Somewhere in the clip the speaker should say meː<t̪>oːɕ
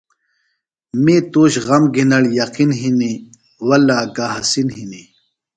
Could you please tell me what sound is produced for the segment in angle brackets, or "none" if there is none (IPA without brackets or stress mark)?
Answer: t̪